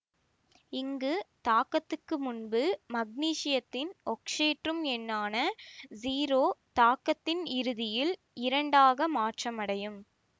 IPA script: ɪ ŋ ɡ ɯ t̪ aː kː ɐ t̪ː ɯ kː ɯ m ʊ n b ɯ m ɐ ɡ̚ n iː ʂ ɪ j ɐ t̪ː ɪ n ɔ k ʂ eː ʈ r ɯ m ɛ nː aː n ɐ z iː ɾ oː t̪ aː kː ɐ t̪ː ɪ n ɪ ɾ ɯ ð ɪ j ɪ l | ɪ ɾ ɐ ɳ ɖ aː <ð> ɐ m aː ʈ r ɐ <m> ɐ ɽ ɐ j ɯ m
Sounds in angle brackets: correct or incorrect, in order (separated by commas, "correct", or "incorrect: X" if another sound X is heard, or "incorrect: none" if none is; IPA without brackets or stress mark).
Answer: incorrect: ɣ, correct